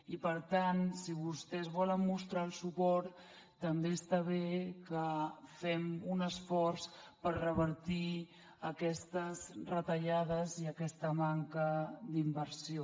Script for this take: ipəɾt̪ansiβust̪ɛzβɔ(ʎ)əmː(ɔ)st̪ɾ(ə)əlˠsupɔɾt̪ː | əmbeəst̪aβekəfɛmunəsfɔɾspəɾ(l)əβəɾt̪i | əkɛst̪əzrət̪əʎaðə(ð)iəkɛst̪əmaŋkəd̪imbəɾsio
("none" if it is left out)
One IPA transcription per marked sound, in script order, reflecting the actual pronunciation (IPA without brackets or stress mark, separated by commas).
l, u, a, r, z